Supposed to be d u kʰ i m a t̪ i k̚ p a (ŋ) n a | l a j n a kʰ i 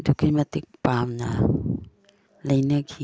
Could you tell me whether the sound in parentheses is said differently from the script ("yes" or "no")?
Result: yes